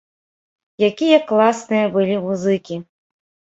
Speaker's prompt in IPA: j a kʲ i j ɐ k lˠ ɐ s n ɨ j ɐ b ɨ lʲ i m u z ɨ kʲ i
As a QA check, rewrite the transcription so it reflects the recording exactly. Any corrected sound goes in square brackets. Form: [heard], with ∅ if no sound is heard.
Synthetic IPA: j a kʲ i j ɐ k lˠ [a] s n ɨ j ɐ b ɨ lʲ i m u z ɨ kʲ i